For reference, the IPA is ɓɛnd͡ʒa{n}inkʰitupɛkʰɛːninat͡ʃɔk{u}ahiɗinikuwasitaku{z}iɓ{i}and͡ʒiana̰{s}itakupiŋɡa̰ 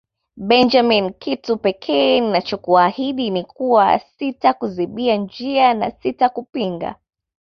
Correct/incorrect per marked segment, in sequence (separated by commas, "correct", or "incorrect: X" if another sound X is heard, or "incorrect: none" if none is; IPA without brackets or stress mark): incorrect: m, correct, correct, correct, correct